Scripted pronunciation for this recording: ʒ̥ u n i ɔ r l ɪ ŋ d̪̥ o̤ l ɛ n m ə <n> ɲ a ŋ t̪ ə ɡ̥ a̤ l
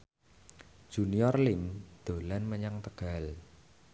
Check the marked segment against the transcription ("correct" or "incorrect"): incorrect